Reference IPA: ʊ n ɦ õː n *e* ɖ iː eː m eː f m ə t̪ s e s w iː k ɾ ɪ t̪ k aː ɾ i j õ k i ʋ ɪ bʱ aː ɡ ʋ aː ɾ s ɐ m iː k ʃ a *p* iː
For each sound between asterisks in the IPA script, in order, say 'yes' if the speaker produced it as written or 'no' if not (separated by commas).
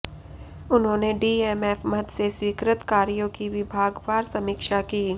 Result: yes, no